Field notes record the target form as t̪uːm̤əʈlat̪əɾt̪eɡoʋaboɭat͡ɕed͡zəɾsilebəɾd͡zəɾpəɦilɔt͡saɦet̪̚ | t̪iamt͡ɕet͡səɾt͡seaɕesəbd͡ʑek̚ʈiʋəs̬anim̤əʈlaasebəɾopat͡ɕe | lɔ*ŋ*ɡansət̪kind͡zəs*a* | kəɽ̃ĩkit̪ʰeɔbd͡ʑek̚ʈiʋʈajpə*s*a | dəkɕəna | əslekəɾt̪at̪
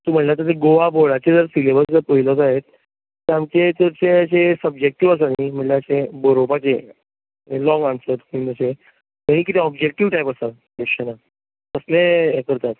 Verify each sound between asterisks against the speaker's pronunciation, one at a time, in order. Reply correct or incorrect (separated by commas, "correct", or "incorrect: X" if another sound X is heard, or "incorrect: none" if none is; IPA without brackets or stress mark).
correct, incorrect: e, correct